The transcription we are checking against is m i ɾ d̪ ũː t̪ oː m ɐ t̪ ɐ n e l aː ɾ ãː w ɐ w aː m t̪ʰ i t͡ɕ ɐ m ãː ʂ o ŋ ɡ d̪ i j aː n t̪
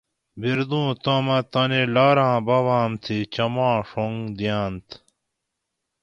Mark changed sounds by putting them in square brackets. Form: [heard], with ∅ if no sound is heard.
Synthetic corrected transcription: [b] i ɾ d̪ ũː t̪ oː m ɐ t̪ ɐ n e l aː ɾ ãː [b] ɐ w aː m t̪ʰ i t͡ɕ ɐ m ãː ʂ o ŋ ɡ d̪ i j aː n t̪